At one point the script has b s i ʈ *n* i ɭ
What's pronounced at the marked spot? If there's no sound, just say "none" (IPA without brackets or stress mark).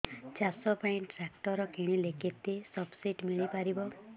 m